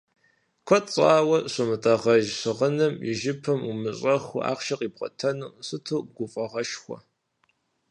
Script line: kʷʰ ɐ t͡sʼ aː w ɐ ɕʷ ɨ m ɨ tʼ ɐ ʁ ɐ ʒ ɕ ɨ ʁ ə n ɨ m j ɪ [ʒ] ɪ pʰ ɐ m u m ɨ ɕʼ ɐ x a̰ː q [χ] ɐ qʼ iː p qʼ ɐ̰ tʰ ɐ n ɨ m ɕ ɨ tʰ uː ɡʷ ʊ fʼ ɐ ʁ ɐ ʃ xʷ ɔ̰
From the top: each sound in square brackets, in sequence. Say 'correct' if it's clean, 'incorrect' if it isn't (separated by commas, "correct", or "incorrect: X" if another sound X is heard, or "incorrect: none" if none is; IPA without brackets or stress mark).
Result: correct, incorrect: ʃ